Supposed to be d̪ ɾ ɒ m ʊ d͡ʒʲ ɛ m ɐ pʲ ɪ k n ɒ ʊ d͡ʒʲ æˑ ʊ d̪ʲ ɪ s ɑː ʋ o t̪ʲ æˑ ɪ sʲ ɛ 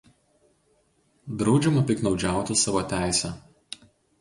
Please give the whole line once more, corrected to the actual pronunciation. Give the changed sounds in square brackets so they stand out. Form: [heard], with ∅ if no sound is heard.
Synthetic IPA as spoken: d̪ ɾ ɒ [∅] ʊ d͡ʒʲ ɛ m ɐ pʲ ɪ k n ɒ ʊ d͡ʒʲ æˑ ʊ [t̪ʲ] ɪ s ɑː ʋ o t̪ʲ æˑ ɪ sʲ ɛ